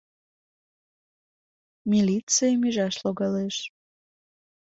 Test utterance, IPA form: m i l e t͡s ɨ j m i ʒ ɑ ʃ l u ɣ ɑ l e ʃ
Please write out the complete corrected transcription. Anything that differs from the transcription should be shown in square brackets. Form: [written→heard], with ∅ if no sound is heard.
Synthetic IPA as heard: m i l [e→i] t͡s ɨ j m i ʒ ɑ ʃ l [u→o] ɣ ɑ l e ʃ